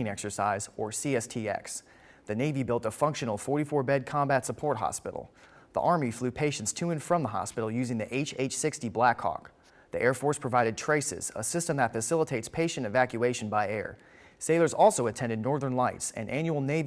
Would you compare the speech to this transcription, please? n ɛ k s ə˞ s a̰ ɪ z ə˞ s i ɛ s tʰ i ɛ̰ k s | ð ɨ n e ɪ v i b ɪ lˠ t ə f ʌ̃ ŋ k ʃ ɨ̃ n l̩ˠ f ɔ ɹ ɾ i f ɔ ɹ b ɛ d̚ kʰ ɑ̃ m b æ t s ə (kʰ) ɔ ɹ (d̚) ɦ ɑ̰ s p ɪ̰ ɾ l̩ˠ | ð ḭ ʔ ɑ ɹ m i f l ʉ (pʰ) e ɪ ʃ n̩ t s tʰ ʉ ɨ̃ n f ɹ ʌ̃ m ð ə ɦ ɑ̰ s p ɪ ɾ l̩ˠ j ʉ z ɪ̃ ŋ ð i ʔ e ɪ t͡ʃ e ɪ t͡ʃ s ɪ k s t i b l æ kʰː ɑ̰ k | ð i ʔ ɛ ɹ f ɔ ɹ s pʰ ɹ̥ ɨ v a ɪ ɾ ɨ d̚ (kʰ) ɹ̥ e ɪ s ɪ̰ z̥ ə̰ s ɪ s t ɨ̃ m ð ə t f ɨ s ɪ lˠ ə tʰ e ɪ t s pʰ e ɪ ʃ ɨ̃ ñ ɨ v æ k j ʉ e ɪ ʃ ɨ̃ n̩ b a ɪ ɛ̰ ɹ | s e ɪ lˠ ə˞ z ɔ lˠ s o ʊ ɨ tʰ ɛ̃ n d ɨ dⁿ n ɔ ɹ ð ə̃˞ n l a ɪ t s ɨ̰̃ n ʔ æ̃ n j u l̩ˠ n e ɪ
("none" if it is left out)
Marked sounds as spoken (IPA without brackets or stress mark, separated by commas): pʰ, t̚, pʰ, tʰ